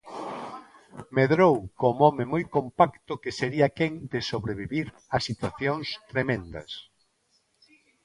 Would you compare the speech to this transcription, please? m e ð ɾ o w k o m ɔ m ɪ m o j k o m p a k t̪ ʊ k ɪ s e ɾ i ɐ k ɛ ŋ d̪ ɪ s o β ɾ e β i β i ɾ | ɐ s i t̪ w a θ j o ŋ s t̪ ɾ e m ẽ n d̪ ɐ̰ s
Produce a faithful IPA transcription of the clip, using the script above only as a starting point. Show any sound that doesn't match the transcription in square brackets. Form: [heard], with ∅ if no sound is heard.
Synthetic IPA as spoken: m e ð ɾ o w k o m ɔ m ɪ m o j k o m p a k t̪ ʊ k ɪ s e ɾ i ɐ k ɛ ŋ d̪ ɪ s o β ɾ e β i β i ɾ | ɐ s i t̪ w a θ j o ŋ s t̪ ɾ e m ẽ n d̪ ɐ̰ s